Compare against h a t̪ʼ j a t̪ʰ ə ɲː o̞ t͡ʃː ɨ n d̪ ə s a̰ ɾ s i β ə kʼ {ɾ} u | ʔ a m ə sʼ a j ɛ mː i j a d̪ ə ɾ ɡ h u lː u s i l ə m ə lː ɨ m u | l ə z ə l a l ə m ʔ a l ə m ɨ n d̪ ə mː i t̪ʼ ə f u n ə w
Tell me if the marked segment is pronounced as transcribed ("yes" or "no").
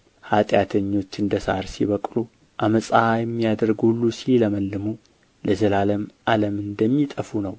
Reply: no